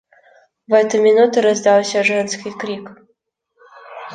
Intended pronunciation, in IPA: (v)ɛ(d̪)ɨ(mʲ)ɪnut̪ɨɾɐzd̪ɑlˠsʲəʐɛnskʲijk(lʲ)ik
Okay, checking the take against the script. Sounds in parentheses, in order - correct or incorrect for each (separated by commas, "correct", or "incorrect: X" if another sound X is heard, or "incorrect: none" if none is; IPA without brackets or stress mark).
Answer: correct, incorrect: t̪, correct, incorrect: ɾʲ